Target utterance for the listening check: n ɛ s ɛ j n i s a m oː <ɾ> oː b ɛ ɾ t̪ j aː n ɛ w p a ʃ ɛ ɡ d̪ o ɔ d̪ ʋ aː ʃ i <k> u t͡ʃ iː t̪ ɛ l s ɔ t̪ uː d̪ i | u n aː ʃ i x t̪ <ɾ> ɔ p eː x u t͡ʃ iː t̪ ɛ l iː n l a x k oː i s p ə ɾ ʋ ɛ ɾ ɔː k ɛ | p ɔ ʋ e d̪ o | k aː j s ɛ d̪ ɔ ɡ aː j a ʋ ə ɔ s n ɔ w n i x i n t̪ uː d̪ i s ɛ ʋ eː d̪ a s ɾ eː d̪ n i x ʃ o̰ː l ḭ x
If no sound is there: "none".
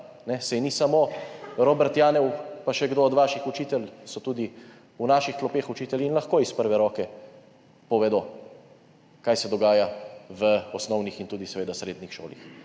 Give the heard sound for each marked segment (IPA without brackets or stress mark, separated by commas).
ɾ, x, l